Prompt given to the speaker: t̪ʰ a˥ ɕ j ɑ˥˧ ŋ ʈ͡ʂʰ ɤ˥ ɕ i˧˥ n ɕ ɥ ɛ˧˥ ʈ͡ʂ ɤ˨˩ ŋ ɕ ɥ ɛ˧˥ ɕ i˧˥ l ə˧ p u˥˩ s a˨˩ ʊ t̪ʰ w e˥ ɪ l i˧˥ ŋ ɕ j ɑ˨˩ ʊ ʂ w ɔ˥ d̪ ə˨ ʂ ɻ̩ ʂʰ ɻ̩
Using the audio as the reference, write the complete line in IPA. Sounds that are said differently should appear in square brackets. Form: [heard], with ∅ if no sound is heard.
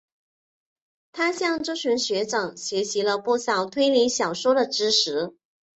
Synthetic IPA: t̪ʰ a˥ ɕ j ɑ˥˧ ŋ [ʈ͡ʂ] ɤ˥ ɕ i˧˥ n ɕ ɥ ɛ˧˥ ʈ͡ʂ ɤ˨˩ ŋ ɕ ɥ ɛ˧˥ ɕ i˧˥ l ə˧ p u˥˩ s [ɑ˨˩] ʊ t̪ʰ w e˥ ɪ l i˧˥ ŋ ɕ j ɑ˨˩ ʊ ʂ w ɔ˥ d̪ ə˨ [ʈ͡ʂ] ɻ̩ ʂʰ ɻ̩